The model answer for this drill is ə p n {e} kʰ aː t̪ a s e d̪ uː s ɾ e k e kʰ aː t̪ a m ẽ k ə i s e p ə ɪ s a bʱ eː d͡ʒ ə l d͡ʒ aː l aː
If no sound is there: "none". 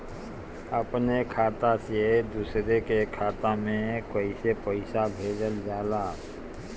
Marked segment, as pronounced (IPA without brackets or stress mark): e